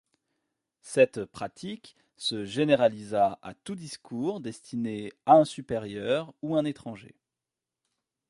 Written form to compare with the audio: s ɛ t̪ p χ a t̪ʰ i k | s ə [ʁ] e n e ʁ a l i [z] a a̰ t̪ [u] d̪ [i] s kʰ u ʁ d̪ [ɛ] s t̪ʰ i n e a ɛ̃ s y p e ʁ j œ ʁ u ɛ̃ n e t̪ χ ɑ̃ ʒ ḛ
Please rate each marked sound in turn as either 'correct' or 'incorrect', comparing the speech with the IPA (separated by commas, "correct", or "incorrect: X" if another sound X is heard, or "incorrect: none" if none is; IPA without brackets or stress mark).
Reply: incorrect: ʒ, correct, correct, correct, correct